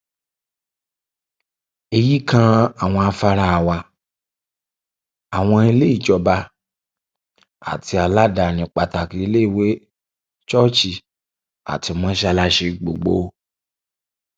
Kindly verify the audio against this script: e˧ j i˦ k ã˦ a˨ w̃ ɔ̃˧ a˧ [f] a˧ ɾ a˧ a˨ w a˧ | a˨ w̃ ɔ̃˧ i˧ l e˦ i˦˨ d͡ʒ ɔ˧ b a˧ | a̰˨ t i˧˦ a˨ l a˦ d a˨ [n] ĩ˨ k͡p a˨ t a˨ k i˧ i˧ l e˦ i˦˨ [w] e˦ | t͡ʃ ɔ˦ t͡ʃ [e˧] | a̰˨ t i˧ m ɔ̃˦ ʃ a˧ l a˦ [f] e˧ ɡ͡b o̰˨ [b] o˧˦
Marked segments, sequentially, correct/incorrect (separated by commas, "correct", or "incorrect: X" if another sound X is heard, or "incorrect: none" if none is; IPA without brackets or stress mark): correct, correct, correct, incorrect: i˧, incorrect: ʃ, incorrect: ɡ͡b